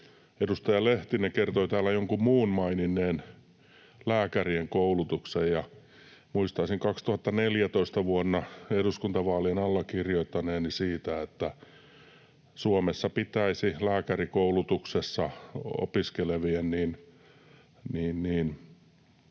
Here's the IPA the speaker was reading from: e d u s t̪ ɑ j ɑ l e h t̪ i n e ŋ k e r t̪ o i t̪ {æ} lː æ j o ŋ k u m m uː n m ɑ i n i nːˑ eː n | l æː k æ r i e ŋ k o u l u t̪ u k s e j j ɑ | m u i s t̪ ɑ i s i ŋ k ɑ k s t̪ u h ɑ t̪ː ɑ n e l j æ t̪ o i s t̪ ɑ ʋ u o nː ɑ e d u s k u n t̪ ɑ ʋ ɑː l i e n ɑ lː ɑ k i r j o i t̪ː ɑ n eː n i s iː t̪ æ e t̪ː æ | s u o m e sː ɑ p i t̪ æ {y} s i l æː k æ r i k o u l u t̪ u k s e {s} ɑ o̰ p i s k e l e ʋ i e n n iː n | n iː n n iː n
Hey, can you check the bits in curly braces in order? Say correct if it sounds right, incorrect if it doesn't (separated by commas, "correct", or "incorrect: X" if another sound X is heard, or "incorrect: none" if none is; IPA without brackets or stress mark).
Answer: incorrect: æː, incorrect: i, incorrect: sː